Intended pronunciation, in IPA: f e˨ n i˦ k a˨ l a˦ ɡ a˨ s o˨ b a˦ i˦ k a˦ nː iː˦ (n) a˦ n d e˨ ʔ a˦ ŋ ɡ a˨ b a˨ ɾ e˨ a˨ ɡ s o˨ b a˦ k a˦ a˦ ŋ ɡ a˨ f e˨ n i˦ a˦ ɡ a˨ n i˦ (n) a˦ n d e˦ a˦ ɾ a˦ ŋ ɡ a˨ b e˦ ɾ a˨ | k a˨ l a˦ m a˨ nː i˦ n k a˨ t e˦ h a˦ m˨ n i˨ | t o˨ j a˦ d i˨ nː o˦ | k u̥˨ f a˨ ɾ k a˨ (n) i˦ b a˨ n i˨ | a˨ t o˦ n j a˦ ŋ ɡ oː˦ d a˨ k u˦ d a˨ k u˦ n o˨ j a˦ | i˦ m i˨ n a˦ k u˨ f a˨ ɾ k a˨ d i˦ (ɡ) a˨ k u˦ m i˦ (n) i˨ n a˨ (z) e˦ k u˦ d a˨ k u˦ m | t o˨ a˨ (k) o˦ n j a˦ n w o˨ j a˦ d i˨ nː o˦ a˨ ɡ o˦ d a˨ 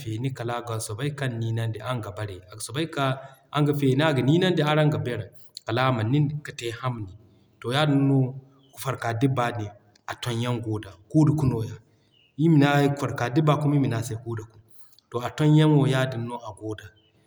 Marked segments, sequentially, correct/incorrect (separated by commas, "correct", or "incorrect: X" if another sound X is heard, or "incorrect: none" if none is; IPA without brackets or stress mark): correct, correct, incorrect: d, incorrect: b, incorrect: m, incorrect: s, incorrect: t